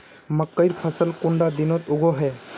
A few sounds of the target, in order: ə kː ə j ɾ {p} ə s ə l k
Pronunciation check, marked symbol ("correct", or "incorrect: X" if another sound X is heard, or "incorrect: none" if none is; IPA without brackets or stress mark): incorrect: pʰ